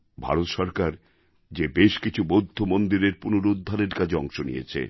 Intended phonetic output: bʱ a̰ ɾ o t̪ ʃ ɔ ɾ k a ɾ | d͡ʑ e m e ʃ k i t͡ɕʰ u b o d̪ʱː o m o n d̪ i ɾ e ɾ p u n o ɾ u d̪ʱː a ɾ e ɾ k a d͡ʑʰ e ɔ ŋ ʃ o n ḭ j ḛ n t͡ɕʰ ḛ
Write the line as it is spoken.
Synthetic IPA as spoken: bʱ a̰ ɾ o t̪ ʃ ɔ ɾ k a ɾ | d͡ʑ e b e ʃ k i t͡ɕʰ u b o d̪ʱː o m o n d̪ i ɾ e ɾ p u n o ɾ u d̪ʱː a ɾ e ɾ k a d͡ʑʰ e ɔ ŋ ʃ o n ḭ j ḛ t͡ɕʰ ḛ